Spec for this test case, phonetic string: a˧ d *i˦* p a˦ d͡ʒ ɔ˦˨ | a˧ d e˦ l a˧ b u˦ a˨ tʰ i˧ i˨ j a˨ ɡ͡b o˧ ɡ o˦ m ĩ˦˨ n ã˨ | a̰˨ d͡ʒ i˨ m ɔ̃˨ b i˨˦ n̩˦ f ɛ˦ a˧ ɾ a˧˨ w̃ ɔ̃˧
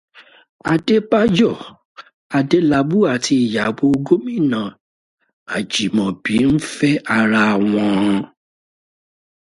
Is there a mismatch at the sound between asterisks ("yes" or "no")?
yes